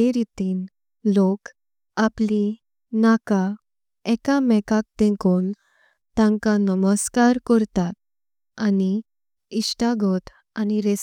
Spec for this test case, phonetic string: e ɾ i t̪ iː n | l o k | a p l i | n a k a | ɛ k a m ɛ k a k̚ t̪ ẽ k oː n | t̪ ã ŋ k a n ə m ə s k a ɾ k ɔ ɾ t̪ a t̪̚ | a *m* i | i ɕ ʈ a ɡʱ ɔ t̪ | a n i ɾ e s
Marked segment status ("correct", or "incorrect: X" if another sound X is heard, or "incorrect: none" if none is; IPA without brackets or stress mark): incorrect: n